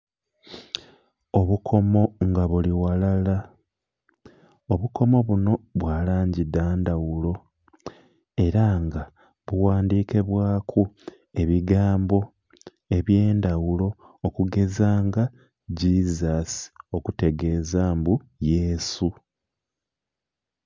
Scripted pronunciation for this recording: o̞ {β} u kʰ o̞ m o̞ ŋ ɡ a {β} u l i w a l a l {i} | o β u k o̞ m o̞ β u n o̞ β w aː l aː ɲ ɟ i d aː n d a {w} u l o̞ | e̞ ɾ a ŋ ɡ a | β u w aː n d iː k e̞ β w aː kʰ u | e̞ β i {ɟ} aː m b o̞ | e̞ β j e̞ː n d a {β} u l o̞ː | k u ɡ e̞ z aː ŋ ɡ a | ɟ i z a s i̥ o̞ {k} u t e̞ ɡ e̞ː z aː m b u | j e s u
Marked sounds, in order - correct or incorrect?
correct, correct, incorrect, correct, incorrect, incorrect, correct

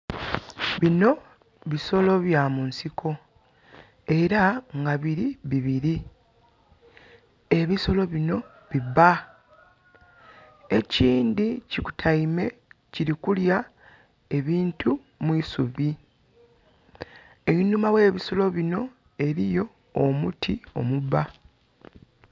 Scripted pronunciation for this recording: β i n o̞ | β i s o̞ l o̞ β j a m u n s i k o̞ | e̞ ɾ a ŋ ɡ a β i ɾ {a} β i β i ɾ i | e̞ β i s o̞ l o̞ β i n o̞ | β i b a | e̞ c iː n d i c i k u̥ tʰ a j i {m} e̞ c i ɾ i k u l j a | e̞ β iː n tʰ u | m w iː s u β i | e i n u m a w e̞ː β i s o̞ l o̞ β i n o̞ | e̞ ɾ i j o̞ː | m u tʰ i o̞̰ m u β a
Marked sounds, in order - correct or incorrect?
incorrect, correct

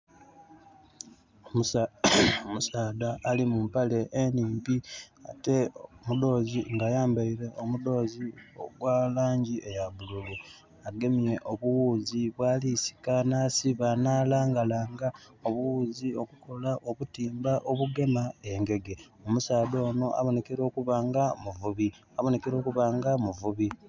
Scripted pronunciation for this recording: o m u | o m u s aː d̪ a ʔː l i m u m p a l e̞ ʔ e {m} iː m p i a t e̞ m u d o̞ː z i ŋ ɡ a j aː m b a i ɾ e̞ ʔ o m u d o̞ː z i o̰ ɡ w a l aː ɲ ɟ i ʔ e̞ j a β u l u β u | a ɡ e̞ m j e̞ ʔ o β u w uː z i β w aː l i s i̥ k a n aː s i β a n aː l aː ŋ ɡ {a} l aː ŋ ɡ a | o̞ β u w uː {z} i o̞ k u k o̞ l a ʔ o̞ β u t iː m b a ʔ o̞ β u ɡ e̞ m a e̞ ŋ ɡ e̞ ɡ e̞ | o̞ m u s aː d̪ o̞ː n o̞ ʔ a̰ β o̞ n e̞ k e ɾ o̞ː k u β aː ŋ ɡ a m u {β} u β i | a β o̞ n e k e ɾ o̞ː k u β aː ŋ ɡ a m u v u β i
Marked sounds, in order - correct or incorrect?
incorrect, correct, correct, incorrect

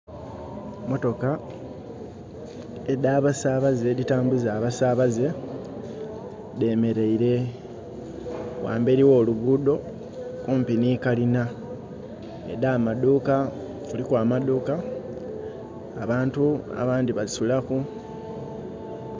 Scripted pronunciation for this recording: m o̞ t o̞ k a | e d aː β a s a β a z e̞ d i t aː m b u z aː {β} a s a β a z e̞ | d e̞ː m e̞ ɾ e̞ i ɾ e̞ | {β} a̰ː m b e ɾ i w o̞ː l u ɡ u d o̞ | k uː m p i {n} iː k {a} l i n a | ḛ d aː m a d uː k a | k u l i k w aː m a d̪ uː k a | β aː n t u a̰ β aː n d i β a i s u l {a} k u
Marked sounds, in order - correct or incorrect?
correct, incorrect, correct, correct, correct

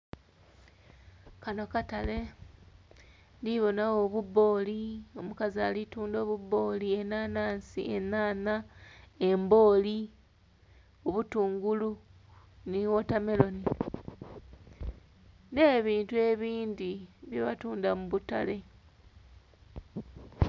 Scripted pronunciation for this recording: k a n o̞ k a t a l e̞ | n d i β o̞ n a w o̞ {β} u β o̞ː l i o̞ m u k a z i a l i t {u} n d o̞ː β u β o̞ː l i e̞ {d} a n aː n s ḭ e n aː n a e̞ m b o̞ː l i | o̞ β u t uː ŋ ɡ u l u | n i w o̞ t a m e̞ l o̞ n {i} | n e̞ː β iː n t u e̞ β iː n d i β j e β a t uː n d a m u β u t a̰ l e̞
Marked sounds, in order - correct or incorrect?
correct, incorrect, incorrect, correct

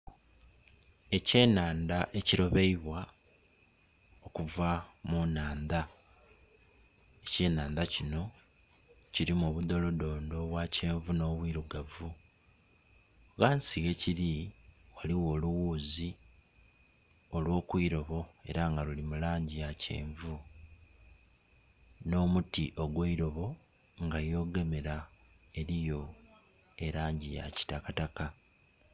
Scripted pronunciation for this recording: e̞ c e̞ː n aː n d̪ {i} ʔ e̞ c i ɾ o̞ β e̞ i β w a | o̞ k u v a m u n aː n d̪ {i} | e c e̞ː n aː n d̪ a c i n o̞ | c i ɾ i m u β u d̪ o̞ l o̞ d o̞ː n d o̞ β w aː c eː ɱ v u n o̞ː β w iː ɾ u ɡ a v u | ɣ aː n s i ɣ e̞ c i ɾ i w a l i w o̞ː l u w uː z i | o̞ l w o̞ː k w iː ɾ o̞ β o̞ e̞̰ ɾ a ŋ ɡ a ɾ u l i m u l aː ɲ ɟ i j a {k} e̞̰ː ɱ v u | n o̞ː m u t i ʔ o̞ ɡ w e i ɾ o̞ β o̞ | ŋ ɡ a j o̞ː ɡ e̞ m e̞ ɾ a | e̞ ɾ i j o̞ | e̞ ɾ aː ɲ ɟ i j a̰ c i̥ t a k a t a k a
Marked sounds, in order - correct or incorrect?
incorrect, incorrect, incorrect

